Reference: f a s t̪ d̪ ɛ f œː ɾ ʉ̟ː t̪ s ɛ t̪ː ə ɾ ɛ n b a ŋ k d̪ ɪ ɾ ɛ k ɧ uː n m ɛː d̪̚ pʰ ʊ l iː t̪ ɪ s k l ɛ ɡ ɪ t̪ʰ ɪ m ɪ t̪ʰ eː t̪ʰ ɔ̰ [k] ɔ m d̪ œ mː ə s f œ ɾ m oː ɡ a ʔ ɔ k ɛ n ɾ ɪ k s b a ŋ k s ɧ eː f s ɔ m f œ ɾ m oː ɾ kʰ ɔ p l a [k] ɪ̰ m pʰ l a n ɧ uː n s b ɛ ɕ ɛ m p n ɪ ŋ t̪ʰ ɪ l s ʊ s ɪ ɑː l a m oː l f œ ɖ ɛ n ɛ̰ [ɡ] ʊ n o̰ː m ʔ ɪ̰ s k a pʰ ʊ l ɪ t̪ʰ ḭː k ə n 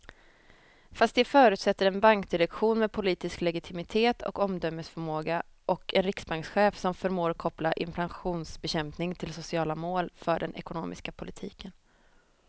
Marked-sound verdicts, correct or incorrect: correct, incorrect: ʔ, incorrect: k

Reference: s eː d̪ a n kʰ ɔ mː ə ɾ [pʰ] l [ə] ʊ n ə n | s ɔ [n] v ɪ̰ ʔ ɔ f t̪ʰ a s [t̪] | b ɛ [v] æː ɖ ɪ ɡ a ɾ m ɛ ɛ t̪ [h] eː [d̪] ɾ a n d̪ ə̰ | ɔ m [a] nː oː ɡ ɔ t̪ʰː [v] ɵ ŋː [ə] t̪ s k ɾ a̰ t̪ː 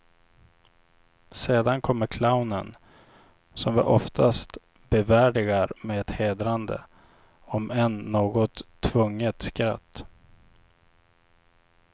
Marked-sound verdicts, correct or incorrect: incorrect: kʰ, incorrect: a, incorrect: m, correct, correct, correct, correct, incorrect: ɛ, correct, correct

